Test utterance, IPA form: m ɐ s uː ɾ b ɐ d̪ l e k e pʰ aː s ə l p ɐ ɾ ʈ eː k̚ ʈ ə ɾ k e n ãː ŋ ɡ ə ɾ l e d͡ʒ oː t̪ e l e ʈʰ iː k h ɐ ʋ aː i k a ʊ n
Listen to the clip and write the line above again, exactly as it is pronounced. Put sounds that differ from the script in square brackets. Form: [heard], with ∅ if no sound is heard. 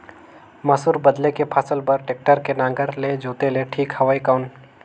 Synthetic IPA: m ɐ s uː ɾ b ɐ d̪ l e k e pʰ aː s ə l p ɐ ɾ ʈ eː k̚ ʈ ə ɾ k e n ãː ŋ ɡ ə ɾ l e d͡ʒ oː t̪ e l e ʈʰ iː k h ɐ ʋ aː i k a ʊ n